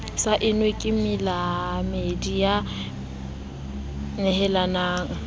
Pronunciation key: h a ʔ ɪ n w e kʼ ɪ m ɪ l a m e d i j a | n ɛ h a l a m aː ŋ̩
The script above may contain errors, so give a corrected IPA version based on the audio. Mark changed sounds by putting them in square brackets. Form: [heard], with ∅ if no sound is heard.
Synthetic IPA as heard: [s] a ʔ ɪ n w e kʼ ɪ m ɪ l a m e d i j a | n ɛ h [ɛ] l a [n] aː ŋ̩